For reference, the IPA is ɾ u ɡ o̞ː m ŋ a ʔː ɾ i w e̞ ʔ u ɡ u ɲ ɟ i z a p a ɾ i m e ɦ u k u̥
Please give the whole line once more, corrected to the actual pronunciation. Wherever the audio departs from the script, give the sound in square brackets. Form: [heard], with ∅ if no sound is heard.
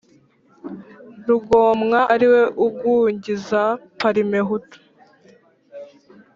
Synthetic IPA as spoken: ɾ u ɡ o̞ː m ŋ a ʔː ɾ i w e̞ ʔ u ɡ u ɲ ɟ i z a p a ɾ i m e ɦ u [t] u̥